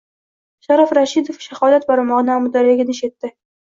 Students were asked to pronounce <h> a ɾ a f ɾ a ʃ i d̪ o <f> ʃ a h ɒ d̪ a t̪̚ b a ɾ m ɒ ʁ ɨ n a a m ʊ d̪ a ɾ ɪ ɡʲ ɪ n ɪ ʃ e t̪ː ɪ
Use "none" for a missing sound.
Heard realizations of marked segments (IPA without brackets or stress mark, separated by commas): ʃ, f